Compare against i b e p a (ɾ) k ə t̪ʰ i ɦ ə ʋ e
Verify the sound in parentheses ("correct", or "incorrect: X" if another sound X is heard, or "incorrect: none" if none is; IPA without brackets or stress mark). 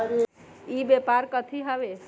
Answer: correct